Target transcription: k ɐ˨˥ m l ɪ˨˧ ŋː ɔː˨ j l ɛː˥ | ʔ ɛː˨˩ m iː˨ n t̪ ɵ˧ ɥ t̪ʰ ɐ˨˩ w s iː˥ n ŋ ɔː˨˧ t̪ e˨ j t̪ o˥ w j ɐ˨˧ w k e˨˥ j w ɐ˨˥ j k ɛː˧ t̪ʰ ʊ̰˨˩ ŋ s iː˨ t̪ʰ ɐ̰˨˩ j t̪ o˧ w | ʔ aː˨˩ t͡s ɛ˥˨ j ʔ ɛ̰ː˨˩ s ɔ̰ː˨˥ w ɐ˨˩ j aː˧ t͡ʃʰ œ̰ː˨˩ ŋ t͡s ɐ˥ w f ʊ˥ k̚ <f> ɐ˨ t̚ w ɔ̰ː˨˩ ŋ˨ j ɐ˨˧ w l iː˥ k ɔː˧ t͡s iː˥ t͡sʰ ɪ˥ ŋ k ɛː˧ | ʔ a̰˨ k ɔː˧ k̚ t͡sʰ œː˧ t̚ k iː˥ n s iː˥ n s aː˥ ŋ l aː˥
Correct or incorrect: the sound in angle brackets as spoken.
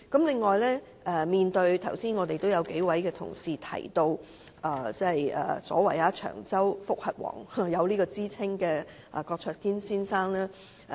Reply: incorrect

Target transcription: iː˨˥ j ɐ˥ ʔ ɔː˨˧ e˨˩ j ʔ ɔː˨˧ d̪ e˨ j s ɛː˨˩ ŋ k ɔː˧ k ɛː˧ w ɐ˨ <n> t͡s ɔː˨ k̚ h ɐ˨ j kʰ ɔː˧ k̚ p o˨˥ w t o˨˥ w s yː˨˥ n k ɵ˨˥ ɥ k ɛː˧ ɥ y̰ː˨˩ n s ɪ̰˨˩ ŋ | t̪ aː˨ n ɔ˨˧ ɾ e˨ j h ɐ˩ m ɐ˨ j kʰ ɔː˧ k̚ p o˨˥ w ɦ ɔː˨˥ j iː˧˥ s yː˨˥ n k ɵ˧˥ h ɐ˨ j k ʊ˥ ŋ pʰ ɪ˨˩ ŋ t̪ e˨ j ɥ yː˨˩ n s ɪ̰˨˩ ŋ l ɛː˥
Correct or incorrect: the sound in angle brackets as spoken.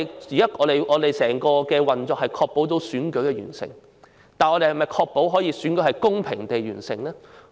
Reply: correct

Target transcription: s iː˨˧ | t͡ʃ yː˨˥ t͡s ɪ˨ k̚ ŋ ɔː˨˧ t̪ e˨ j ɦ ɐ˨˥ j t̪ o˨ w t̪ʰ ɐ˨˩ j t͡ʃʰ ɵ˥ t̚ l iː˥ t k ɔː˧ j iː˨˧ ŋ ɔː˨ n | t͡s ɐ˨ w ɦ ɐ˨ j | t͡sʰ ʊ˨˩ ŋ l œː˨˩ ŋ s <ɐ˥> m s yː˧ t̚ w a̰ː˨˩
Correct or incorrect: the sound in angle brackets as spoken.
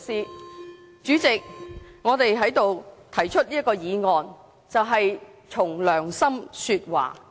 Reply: correct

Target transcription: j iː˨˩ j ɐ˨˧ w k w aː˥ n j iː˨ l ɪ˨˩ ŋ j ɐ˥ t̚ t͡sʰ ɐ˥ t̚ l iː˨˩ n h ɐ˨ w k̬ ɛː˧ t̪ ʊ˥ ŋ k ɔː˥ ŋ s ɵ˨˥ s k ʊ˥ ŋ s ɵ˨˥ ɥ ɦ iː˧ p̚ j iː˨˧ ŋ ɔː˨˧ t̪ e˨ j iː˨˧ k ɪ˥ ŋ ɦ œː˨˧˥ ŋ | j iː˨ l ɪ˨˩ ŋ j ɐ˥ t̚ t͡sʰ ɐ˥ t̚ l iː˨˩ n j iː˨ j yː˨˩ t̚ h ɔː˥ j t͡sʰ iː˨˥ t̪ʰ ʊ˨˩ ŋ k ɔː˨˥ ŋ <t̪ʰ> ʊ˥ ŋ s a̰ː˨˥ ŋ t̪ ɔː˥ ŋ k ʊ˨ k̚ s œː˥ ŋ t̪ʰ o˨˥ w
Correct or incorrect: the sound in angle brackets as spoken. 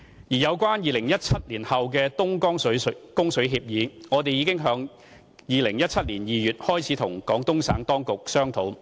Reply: incorrect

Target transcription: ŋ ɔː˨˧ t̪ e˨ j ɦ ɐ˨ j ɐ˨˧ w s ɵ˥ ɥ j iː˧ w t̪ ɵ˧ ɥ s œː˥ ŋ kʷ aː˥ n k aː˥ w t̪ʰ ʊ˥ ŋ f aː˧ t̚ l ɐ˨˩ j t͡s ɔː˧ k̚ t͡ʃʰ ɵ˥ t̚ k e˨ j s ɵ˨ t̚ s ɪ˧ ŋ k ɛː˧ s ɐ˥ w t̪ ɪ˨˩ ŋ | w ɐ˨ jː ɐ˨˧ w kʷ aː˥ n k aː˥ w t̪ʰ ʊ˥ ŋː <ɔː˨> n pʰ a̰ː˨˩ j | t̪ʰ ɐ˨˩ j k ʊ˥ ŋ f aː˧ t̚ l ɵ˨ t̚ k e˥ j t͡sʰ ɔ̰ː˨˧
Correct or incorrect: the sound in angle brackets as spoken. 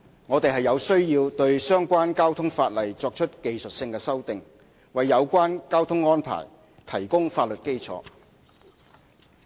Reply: incorrect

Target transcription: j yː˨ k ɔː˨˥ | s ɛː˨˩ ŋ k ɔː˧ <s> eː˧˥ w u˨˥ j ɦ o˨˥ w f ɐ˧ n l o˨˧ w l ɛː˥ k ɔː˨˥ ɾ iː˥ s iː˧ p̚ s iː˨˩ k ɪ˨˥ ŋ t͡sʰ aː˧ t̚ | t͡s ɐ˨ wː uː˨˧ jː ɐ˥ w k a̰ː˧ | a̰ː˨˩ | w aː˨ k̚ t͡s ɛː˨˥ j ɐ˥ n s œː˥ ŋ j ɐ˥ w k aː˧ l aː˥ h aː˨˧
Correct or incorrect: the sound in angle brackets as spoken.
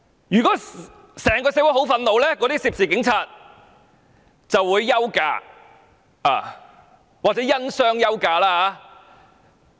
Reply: correct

